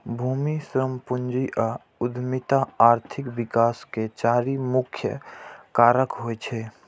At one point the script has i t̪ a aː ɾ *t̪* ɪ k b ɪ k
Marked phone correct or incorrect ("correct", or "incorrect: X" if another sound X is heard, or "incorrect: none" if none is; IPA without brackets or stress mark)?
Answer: incorrect: t̪ʰ